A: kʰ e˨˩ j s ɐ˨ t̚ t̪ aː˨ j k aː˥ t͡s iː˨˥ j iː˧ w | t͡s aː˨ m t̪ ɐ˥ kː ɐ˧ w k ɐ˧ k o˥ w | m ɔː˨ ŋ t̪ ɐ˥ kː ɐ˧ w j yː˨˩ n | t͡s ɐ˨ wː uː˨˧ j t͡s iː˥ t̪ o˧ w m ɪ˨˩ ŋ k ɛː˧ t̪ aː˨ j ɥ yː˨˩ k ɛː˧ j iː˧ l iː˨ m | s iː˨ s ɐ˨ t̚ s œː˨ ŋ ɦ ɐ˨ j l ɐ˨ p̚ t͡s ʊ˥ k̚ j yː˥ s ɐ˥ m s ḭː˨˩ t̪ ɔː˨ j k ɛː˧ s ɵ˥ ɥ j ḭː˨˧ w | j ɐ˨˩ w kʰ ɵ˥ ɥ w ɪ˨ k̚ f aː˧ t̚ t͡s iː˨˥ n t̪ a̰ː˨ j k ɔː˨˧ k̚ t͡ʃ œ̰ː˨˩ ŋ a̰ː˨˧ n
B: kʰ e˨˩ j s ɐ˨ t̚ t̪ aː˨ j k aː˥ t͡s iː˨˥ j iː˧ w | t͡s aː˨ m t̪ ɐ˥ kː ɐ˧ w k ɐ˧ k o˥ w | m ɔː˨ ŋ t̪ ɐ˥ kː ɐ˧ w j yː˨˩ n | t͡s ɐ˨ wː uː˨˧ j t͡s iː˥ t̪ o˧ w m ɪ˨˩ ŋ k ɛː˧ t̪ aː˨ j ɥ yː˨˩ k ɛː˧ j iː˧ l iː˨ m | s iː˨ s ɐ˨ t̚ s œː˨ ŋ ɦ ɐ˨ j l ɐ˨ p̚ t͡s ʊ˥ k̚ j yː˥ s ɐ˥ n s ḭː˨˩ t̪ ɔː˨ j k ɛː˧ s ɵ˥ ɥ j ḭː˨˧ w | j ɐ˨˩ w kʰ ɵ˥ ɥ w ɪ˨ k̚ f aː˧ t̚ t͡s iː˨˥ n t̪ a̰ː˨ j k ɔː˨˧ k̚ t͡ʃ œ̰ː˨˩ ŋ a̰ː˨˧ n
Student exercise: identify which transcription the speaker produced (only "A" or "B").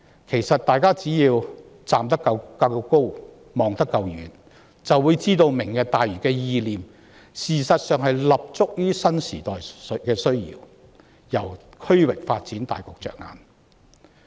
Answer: B